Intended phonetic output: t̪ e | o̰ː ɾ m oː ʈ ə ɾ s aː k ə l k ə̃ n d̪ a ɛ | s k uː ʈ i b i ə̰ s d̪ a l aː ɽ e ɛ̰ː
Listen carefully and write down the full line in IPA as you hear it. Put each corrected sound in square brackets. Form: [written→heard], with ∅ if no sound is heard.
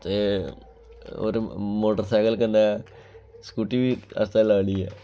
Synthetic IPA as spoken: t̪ e | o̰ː ɾ m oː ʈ ə ɾ s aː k ə l k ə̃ n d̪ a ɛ | s k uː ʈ i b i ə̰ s [d̪→t̪] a l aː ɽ [e→i] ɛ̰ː